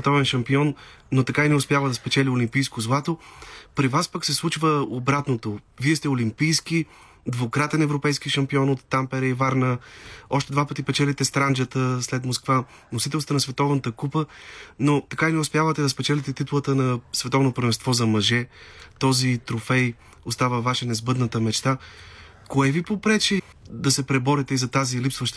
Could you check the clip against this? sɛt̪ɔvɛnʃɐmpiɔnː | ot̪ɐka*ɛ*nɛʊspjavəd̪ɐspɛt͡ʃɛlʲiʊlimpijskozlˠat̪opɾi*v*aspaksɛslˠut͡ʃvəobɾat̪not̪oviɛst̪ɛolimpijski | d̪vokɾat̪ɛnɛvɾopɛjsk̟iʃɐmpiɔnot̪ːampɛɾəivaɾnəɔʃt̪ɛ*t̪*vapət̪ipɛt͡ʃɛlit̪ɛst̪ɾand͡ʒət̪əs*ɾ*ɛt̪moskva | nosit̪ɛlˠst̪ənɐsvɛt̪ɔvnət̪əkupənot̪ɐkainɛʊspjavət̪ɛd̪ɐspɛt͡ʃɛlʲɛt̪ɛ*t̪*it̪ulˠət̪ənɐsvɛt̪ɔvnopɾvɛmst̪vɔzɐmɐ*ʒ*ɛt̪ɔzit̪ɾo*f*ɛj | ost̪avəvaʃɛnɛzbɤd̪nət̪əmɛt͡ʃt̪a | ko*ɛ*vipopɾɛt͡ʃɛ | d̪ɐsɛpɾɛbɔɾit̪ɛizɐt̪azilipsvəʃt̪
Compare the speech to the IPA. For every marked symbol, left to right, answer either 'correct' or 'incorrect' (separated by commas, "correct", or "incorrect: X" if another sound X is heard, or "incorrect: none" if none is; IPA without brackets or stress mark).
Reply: incorrect: i, correct, incorrect: d̪, incorrect: l, correct, correct, correct, correct